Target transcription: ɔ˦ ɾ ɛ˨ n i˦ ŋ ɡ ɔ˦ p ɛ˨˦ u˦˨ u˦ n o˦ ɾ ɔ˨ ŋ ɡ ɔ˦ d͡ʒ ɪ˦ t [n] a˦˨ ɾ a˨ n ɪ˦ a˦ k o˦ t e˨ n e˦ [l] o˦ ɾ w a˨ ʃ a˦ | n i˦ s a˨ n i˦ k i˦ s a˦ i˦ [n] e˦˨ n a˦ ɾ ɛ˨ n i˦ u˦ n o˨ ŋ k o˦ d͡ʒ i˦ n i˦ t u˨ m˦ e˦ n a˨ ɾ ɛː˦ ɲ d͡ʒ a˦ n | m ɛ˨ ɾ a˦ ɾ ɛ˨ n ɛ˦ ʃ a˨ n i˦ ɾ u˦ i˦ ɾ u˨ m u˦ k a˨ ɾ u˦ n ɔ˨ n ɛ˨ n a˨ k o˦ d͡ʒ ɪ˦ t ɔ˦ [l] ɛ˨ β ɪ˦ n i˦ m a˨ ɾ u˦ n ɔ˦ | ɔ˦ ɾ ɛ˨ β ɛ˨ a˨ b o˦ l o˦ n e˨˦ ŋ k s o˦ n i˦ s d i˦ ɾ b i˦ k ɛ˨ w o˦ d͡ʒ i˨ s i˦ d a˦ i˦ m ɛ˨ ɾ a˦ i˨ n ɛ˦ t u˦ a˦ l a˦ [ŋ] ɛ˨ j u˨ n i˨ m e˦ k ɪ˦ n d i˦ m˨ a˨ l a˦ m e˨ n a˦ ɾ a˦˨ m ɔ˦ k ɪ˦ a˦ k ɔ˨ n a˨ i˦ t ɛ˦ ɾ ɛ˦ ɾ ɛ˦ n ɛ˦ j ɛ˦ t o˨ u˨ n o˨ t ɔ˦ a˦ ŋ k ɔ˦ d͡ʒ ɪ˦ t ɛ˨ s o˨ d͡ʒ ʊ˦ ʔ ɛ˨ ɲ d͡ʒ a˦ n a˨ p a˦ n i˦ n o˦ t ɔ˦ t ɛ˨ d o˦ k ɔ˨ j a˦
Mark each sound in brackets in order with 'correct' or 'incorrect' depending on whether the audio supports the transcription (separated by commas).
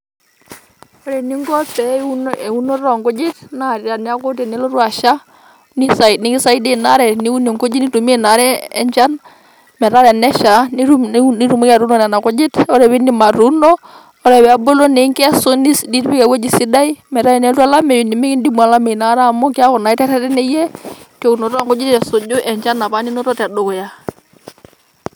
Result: correct, correct, incorrect, incorrect, incorrect